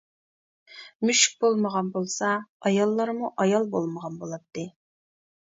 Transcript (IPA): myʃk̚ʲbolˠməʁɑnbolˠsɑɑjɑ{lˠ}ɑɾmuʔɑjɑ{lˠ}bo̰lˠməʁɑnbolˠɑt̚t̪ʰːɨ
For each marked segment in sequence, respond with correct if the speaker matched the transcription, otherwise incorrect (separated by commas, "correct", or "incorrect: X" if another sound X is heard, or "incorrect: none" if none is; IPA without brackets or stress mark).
incorrect: lˠː, correct